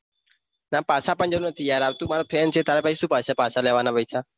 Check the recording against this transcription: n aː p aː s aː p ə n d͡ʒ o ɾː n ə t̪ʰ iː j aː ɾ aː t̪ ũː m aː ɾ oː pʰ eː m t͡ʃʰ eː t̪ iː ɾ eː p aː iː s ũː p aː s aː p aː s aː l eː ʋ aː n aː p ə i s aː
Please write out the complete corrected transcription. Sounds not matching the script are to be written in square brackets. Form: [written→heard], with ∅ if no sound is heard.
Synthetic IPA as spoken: n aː p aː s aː p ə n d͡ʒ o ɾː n ə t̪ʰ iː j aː ɾ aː t̪ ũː m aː ɾ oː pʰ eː [m→n] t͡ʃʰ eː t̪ [iː→aː] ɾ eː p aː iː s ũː p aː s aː p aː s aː l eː ʋ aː n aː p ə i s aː

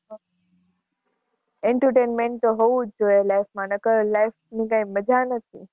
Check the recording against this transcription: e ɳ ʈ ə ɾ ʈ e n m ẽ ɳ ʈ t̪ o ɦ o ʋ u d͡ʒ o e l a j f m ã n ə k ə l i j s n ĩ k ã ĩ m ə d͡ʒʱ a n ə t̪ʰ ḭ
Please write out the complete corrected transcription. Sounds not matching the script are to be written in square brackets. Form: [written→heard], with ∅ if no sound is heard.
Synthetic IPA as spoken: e ɳ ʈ ə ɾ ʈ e n m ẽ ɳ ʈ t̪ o ɦ o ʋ u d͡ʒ o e l a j f m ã n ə k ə l [i→a] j [s→f] n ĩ k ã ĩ m ə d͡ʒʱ a n ə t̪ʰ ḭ

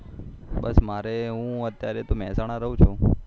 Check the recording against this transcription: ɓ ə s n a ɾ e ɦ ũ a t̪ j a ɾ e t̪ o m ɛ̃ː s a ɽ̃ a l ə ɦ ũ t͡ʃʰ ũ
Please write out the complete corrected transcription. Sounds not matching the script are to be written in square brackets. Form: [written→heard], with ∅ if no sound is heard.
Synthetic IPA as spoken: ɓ ə s [n→m] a ɾ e ɦ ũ [a→ə] t̪ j a ɾ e t̪ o m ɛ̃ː s a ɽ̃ a [l→ɾ] ə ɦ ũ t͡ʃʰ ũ

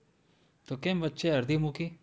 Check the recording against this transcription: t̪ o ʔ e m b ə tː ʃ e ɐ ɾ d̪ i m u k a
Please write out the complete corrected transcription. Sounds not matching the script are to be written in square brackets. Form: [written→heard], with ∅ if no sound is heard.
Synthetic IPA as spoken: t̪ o [ʔ→k] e m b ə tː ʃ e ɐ ɾ d̪ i m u k [a→i]

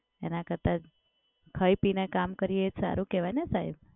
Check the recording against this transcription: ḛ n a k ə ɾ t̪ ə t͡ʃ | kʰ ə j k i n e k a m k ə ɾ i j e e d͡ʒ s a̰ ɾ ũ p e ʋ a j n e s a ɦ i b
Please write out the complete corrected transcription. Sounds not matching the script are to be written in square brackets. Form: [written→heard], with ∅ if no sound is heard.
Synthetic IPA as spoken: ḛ n a k ə ɾ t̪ [ə→a] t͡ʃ | kʰ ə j [k→p] i n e k a m k ə ɾ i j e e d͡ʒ s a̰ ɾ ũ [p→k] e ʋ a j n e s a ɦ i b

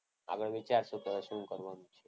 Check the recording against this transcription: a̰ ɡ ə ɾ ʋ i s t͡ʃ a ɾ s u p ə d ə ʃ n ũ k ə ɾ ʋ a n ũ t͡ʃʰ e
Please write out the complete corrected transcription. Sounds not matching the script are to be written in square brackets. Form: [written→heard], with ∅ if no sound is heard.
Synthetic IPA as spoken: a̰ ɡ ə [ɾ→ɭ] ʋ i [s→∅] t͡ʃ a ɾ s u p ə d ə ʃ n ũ k ə ɾ ʋ a n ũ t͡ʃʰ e

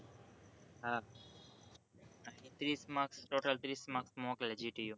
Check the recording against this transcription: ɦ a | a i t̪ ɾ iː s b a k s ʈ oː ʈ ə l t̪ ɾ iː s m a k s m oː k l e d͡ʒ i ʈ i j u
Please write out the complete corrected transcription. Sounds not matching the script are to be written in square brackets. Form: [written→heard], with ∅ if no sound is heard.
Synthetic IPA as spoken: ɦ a | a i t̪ ɾ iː s [b→m] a k s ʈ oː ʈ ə l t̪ ɾ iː s m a k s m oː k l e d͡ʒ i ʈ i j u

